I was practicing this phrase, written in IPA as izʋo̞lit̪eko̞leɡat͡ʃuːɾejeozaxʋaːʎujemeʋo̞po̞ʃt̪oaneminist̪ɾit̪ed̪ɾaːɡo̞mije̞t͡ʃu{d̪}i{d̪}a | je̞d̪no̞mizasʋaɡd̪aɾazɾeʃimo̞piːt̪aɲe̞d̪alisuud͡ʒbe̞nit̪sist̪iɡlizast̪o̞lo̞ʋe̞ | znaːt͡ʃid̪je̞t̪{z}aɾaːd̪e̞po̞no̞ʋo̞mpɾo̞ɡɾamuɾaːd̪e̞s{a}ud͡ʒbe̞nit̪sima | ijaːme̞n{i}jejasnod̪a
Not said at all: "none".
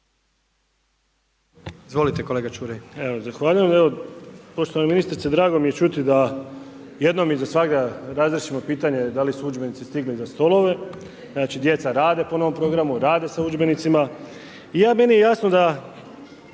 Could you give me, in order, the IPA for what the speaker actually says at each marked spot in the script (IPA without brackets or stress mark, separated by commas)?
t̪, d̪, s, a, i